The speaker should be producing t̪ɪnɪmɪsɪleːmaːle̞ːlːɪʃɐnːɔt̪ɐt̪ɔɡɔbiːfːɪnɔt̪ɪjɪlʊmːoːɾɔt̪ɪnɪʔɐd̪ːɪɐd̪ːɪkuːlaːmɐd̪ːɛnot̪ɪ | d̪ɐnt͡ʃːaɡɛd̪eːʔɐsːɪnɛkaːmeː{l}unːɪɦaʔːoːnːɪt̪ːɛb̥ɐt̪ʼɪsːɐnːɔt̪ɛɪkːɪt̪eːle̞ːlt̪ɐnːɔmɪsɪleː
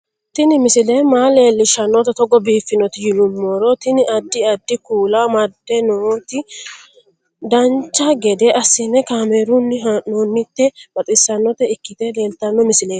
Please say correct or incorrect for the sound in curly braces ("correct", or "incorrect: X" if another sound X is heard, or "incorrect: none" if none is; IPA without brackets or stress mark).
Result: incorrect: ɾ